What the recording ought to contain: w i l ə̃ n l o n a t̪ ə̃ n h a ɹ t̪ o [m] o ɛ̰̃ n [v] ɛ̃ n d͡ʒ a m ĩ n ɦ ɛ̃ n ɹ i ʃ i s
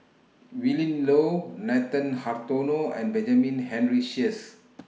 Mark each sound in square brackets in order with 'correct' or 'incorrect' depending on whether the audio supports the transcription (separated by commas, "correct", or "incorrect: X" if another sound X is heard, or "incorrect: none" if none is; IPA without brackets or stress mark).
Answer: incorrect: n, incorrect: b